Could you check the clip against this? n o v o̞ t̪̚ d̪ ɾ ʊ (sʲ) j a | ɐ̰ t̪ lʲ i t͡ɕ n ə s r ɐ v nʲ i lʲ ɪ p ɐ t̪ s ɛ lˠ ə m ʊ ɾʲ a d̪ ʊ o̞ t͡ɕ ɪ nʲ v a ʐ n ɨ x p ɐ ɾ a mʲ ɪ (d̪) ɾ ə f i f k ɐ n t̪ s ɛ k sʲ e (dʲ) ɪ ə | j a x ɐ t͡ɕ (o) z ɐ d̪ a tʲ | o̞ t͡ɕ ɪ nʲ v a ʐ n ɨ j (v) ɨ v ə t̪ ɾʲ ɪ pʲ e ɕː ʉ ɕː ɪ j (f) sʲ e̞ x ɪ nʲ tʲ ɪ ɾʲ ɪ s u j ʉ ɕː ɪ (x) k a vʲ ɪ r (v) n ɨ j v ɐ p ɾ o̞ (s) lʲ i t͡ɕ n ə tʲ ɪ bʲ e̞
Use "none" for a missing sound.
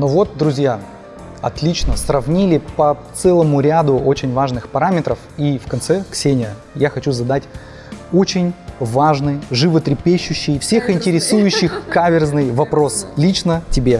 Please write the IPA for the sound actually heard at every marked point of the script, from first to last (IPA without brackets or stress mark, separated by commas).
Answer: zʲ, t̪, nʲ, u, ʐ, f, x, z, s